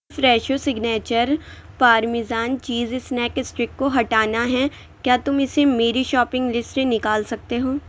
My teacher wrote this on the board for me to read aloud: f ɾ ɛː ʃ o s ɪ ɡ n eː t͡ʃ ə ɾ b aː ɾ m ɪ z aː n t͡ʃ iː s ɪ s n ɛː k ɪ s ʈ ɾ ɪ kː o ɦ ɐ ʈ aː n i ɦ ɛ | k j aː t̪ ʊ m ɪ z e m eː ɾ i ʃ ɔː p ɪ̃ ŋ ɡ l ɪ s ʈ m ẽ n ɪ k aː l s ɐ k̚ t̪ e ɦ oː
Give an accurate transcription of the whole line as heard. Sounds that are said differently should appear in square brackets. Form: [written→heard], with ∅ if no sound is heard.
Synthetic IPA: f ɾ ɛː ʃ o s ɪ ɡ n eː t͡ʃ ə ɾ [b→p] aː ɾ m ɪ z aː n t͡ʃ iː [s→z] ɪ s n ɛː k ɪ s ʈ ɾ ɪ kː o ɦ ɐ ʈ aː n [i→a] ɦ ɛ | k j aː t̪ ʊ m ɪ [z→s] e m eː ɾ i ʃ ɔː p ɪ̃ ŋ ɡ l ɪ s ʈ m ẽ n ɪ k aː l s ɐ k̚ t̪ e ɦ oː